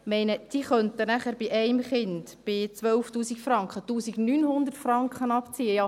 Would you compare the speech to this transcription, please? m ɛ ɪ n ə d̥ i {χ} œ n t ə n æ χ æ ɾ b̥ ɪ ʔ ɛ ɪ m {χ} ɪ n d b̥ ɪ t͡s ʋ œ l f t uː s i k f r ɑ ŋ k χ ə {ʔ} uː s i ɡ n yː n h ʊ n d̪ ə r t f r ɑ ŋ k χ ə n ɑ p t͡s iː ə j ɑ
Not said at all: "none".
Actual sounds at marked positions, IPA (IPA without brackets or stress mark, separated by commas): χ, χ, t